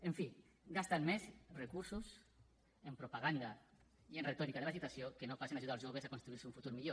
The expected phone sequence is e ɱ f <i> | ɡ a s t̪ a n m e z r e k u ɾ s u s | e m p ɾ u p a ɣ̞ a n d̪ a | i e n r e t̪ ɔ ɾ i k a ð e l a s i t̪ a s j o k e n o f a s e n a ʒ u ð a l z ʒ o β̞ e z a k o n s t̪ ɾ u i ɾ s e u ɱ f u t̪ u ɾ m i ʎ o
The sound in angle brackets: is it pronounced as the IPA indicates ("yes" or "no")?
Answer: yes